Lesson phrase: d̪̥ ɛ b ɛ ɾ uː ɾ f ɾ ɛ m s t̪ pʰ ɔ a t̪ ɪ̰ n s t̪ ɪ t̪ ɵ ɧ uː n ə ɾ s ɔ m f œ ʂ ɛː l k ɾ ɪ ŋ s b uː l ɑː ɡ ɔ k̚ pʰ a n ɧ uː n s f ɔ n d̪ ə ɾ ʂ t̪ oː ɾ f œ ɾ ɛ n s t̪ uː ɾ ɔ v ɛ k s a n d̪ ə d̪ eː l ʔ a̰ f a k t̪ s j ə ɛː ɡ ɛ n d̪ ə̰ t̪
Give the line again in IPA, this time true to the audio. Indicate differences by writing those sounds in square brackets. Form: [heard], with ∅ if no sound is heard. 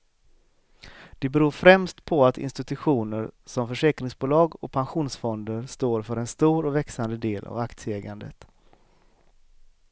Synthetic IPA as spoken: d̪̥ ɛ b ɛ ɾ uː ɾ f ɾ ɛ m s t̪ pʰ ɔ a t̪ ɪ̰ n s t̪ ɪ t̪ ɵ ɧ uː n ə ɾ s ɔ m f œ ʂ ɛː [∅] k ɾ ɪ ŋ s b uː l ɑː ɡ ɔ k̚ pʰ a n ɧ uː n s f ɔ n d̪ ə ɾ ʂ t̪ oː ɾ f œ ɾ ɛ n s t̪ uː ɾ ɔ v ɛ k s a n d̪ ə d̪ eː l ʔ a̰ [v] a k t̪ s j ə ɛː ɡ [a] n d̪ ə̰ t̪

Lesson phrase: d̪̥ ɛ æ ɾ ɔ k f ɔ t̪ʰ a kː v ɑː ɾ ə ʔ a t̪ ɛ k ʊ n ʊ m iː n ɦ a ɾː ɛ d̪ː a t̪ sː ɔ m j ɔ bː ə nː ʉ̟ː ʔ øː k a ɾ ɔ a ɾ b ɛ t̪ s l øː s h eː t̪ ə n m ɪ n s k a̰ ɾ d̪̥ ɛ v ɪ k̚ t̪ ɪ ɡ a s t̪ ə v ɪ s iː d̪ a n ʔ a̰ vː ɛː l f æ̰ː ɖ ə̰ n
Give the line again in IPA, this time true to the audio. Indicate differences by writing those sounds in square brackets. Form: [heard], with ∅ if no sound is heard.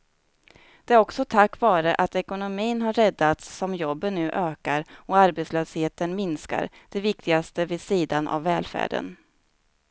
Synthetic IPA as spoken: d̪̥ ɛ æ ɾ ɔ k [s] ɔ t̪ʰ a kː v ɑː ɾ ə ʔ a t̪ ɛ k ʊ n ʊ m iː n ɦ a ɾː ɛ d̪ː a t̪ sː ɔ m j ɔ bː ə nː ʉ̟ː ʔ øː k a ɾ ɔ a ɾ b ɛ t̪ s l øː s h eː t̪ ə n m ɪ n s k a̰ ɾ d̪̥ ɛ v ɪ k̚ t̪ ɪ ɡ a s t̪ ə v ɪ s iː d̪ a n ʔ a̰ vː ɛː l f æ̰ː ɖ ə̰ n

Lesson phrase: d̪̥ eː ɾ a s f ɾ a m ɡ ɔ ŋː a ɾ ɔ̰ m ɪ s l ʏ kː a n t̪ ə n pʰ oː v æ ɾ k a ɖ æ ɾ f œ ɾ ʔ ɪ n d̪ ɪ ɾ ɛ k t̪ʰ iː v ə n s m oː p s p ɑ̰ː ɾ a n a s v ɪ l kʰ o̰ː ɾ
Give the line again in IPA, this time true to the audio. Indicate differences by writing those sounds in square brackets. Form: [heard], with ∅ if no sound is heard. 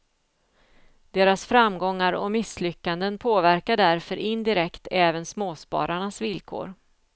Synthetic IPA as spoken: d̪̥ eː ɾ a s f ɾ a m ɡ ɔ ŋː a ɾ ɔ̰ m ɪ s l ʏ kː a n [d̪] ə n pʰ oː v æ ɾ k a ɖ æ ɾ f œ ɾ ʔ ɪ n d̪ ɪ ɾ ɛ k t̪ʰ [ɛː] v ə n s m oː [∅] s p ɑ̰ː ɾ a [ɳ] a s v ɪ l kʰ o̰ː ɾ

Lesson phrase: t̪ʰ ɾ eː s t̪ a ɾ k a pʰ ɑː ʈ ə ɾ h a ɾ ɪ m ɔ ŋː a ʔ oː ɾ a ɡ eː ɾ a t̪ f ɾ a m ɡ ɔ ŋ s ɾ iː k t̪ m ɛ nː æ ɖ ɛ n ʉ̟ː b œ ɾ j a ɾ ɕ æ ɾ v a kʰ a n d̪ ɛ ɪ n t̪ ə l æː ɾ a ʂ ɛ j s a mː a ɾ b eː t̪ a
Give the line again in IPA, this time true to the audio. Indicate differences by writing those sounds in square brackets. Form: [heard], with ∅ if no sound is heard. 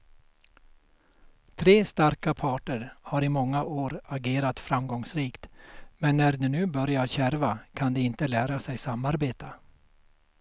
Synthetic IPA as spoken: t̪ʰ ɾ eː s t̪ a ɾ k a pʰ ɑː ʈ ə ɾ h a ɾ ɪ m ɔ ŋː a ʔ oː ɾ a ɡ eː ɾ a t̪ f ɾ a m ɡ ɔ ŋ s ɾ iː k t̪ m ɛ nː æ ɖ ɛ n ʉ̟ː b œ ɾ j a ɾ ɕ æ ɾ v a kʰ a n d̪ ɛ ɪ n t̪ ə l æː ɾ a [s] ɛ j s a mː a ɾ b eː t̪ a

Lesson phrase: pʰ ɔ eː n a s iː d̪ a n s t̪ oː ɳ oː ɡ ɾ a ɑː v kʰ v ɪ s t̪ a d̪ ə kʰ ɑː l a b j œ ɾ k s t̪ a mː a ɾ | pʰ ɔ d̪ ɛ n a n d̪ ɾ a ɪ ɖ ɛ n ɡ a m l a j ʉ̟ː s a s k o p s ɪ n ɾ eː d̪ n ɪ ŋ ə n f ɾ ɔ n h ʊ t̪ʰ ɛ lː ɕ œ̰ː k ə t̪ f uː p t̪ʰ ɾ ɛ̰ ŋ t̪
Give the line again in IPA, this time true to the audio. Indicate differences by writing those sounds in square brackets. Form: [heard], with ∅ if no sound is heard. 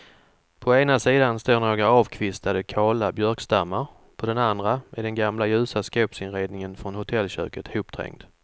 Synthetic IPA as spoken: pʰ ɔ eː n a s iː d̪ a n s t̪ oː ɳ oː ɡ ɾ a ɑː v kʰ v ɪ s t̪ a d̪ ə kʰ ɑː l a b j œ ɾ k s t̪ a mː a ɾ | pʰ ɔ d̪ ɛ n a n d̪ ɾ a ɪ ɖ ɛ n ɡ a m l a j ʉ̟ː s a s k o p s ɪ n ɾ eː d̪ n ɪ ŋ ə n f ɾ ɔ n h ʊ t̪ʰ ɛ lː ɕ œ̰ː k ə t̪ [h] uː p t̪ʰ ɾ ɛ̰ ŋ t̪

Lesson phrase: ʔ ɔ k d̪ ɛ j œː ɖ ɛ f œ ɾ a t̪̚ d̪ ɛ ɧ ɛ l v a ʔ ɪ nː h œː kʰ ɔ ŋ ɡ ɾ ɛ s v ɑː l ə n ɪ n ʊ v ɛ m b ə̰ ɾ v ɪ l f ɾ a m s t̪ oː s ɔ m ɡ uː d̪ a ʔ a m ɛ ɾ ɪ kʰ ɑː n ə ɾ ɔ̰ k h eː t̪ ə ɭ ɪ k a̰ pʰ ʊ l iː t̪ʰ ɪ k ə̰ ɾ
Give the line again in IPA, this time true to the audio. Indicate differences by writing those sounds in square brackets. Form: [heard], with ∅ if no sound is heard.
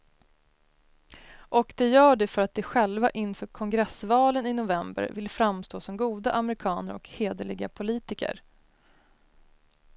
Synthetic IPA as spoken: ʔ ɔ k d̪ ɛ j œː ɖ ɛ f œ ɾ a t̪̚ d̪ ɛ ɧ ɛ l v a ʔ ɪ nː [f] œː kʰ ɔ ŋ ɡ ɾ ɛ s v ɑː l ə n ɪ n ʊ v ɛ m b ə̰ ɾ v ɪ l f ɾ a m s t̪ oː s ɔ m ɡ uː d̪ a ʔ a m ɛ ɾ ɪ kʰ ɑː n ə ɾ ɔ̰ k h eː [d̪] ə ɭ ɪ [ɡ] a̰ pʰ ʊ l iː [t̪] ɪ k ə̰ ɾ

